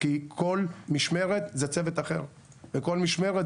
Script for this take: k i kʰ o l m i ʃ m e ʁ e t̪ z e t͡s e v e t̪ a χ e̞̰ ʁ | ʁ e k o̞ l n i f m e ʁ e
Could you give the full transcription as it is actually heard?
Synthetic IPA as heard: k i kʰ o l m i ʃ m e ʁ e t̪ z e t͡s e v e t̪ a χ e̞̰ ʁ | v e k o̞ l m i ʃ m e ʁ e